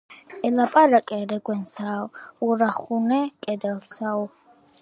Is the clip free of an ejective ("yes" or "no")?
no